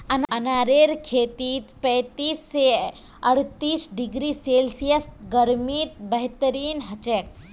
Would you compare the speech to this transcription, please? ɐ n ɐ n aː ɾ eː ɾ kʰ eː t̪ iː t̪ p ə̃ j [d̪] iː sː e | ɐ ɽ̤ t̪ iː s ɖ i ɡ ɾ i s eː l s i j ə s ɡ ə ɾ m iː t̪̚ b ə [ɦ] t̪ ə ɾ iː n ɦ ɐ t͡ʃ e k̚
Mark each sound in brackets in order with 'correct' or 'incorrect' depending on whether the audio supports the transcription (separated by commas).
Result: incorrect, correct